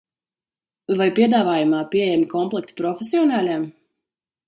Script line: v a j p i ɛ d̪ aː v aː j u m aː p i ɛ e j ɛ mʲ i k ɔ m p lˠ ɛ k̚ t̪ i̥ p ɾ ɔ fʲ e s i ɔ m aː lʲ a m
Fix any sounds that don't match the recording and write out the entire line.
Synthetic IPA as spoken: v a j p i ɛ d̪ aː v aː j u m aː p i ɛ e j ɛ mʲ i k ɔ m p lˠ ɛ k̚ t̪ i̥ p ɾ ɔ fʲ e s i ɔ n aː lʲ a m

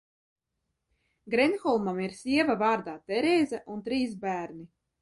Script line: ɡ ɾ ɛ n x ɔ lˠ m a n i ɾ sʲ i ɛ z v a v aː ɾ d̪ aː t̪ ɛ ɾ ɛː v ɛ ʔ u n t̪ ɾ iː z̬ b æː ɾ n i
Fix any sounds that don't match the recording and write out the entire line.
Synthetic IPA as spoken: ɡ ɾ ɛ n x ɔ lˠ m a m i ɾ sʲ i ɛ v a v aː ɾ d̪ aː t̪ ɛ ɾ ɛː z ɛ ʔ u n t̪ ɾ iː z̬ b æː ɾ n i

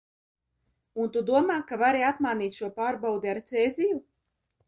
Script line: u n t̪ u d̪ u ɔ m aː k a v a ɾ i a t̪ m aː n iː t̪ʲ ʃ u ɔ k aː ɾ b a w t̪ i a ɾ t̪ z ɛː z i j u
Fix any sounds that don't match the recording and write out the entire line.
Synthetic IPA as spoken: u n t̪ u d̪ u ɔ m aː k a v a ɾ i a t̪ m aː n iː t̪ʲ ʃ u ɔ p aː ɾ b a w d̪ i a ɾ t̪ s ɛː z i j u

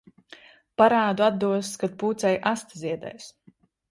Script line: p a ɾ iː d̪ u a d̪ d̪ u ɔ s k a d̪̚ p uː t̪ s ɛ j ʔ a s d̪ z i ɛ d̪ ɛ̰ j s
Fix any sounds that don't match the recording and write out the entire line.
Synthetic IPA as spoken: p a ɾ aː d̪ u a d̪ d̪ u ɔ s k a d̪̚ p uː t̪ s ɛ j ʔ a s t̪ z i ɛ d̪ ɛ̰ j s

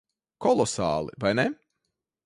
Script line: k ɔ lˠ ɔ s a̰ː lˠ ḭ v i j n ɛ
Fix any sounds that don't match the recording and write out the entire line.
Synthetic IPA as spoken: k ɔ lˠ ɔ s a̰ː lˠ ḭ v a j n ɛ

